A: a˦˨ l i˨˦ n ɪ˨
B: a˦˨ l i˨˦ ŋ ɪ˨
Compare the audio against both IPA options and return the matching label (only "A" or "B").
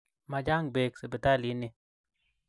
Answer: A